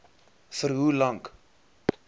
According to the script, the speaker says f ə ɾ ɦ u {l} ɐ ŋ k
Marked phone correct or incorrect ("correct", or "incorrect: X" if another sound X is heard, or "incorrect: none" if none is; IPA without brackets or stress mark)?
correct